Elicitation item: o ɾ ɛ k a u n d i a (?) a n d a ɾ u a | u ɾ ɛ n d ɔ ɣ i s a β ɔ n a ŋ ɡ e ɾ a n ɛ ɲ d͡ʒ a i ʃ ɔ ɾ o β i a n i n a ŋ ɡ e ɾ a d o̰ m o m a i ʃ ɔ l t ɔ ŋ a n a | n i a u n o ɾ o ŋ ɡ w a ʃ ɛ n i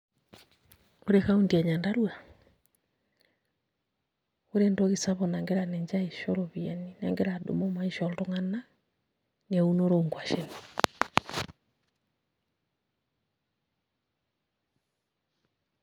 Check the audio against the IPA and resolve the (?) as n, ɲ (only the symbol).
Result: ɲ